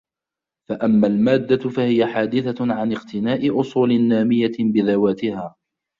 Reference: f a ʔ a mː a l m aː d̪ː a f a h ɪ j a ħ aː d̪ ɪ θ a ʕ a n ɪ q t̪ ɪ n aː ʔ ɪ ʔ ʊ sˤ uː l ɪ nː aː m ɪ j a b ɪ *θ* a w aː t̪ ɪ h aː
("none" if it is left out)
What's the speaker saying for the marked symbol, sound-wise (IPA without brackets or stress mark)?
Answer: ð